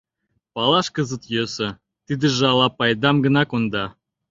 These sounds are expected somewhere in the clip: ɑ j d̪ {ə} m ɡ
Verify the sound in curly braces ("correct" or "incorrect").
incorrect